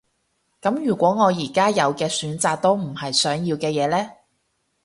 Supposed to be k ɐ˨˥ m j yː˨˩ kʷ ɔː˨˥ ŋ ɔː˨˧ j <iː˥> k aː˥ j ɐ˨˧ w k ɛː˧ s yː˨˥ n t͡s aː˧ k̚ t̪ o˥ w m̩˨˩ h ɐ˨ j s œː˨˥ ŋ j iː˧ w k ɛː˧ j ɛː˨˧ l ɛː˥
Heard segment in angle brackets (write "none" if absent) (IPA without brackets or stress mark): iː˨˩